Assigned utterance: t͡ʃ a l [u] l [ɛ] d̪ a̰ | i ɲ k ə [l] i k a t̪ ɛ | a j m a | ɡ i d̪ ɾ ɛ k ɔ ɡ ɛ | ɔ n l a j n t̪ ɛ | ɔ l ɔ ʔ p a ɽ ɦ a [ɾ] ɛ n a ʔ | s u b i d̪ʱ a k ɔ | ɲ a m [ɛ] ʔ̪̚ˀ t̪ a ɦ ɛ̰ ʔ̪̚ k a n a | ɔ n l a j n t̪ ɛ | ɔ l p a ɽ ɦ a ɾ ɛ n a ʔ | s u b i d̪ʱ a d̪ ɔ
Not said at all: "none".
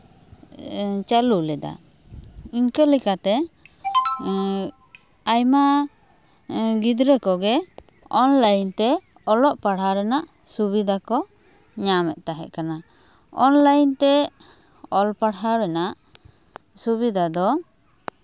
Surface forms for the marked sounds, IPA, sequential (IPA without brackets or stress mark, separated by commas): u, ɛ, l, ɾ, ɛ